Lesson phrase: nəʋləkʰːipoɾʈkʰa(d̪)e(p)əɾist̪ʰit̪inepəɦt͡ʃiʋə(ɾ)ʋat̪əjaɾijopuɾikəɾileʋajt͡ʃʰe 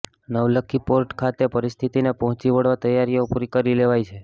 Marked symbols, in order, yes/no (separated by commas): no, yes, no